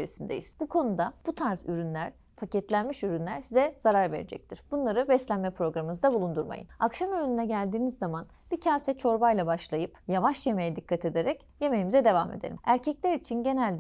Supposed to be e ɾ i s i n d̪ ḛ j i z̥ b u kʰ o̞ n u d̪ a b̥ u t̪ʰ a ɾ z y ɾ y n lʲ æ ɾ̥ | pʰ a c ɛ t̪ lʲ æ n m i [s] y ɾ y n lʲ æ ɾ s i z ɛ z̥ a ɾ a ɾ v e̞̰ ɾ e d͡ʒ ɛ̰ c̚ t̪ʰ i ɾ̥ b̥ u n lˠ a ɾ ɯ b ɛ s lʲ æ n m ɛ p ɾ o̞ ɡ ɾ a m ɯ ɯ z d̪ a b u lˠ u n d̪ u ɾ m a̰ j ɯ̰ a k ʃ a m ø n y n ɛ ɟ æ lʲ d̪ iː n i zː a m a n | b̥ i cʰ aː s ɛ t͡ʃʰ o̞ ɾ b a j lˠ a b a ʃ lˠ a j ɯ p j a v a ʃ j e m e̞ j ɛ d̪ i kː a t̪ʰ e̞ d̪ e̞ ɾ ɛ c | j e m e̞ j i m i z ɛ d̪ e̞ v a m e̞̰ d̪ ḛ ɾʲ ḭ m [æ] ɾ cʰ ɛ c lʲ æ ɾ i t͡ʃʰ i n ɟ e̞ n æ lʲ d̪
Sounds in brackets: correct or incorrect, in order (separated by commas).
incorrect, correct